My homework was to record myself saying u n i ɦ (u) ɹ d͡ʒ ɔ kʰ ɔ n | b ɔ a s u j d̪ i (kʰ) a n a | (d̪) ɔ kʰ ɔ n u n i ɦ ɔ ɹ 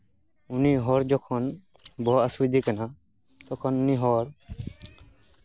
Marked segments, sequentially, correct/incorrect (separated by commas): incorrect, incorrect, incorrect